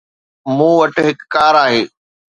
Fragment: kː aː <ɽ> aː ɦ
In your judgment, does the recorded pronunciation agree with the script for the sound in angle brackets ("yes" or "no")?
no